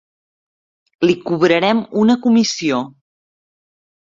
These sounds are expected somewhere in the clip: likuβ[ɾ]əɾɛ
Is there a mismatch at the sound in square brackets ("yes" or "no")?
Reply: no